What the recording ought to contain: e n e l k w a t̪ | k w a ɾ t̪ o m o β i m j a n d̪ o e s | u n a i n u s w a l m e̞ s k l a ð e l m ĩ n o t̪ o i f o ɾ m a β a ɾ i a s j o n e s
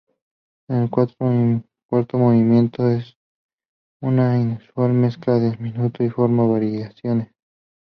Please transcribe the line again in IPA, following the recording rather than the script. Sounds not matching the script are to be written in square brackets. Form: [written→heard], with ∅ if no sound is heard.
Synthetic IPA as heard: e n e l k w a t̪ | k w a ɾ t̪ o m o β i m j [a→e] n [d̪→t̪] o e s | u n a i n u s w a l m e̞ s k l a ð e l m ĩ n [o→u] t̪ o i f o ɾ m a β a ɾ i a s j o n e s

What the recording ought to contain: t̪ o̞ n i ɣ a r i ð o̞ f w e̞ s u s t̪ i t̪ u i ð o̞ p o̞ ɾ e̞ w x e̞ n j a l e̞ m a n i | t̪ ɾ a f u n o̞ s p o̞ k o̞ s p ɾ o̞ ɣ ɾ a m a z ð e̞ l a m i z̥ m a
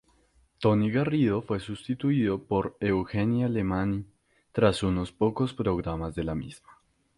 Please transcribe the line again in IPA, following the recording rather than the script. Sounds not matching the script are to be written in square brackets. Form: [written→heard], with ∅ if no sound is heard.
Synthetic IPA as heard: t̪ o̞ n i ɣ a r i ð o̞ f w e̞ s u s t̪ i t̪ u i ð o̞ p o̞ ɾ e̞ w x e̞ n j a l e̞ m a n i | t̪ ɾ a [f→s] u n o̞ s p o̞ k o̞ s p ɾ o̞ ɣ ɾ a m a z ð e̞ l a m i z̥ m a

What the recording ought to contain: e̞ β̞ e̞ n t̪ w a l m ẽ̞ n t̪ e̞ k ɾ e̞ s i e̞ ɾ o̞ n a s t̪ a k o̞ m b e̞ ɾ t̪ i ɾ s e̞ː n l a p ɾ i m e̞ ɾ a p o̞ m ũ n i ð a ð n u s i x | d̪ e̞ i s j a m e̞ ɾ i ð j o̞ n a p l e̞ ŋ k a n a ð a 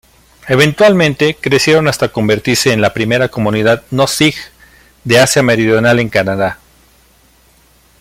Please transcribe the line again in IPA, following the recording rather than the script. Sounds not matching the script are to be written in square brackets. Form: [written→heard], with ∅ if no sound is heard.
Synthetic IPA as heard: e̞ β̞ e̞ n t̪ w a l m ẽ̞ n t̪ e̞ k ɾ e̞ s [i→j] e̞ ɾ o̞ n a s t̪ a k o̞ m b e̞ ɾ t̪ i ɾ s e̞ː n l a p ɾ i m e̞ ɾ a [p→k] o̞ m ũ n i ð a ð n [u→o] s i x | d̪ e̞ [i→a] s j a m e̞ ɾ i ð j o̞ n a [p→∅] l e̞ ŋ k a n a ð a

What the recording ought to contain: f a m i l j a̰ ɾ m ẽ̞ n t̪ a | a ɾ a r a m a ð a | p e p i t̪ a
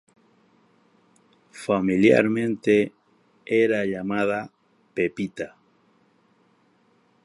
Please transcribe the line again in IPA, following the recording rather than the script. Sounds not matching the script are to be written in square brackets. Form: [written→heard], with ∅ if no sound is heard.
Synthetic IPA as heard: f a m i l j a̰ ɾ m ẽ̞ n t̪ [a→e] | [a→e] ɾ a [r→ʎ] a m a ð a | p e p i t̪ a

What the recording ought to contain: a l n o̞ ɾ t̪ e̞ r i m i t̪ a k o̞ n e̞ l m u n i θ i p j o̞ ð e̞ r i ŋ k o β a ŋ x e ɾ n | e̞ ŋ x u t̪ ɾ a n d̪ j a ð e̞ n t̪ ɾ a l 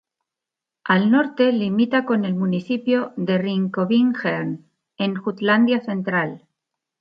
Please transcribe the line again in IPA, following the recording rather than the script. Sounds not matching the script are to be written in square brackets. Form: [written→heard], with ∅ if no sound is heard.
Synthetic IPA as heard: a l n o̞ ɾ t̪ e̞ [r→l] i m i t̪ a k o̞ n e̞ l m u n i θ i p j o̞ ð e̞ r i ŋ k o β [a→i] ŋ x e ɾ n | e̞ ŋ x u t̪ [ɾ→l] a n d̪ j a [ð→θ] e̞ n t̪ ɾ a l

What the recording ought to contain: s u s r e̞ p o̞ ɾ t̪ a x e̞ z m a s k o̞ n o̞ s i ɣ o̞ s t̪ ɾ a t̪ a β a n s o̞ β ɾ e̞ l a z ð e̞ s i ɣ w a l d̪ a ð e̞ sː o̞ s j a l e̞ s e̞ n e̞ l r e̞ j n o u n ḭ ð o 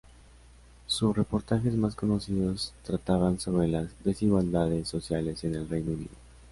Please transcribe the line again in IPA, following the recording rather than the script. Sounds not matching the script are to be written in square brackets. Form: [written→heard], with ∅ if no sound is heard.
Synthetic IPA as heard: s u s r e̞ p o̞ ɾ t̪ a x e̞ z m a s k o̞ n o̞ s i [ɣ→ð] o̞ s t̪ ɾ a t̪ a β a n s o̞ β ɾ e̞ l a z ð e̞ s i ɣ w a l d̪ a ð e̞ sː o̞ s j a l e̞ s e̞ n e̞ l r e̞ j n o u n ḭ ð o

